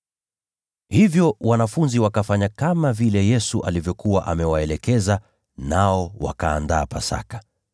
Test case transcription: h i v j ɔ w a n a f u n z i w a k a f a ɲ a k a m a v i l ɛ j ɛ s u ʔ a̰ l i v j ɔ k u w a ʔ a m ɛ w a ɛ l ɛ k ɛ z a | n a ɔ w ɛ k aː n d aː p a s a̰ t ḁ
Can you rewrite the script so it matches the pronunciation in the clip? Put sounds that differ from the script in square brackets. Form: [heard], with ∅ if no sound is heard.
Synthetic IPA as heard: h i v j ɔ w a n a f u n z i w a k a f a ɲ a k a m a v i l ɛ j ɛ s u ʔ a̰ l i v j ɔ k u w a ʔ a m ɛ w a ɛ l ɛ k ɛ z a | n a ɔ w [a] k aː n d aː p a s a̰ [k] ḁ